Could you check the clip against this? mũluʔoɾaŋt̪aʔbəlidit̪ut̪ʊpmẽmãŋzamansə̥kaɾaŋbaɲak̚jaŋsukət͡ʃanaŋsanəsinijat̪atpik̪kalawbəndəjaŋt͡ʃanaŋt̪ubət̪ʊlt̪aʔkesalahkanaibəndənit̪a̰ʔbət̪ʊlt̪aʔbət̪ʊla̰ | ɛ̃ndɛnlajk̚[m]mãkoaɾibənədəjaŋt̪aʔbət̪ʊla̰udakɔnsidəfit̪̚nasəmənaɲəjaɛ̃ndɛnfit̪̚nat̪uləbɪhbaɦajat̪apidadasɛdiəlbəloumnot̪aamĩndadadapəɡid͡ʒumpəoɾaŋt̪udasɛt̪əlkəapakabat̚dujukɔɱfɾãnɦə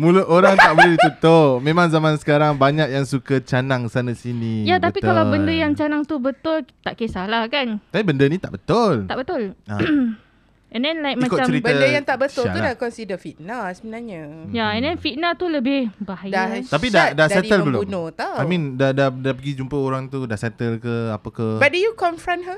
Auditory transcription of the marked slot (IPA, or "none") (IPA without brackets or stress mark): m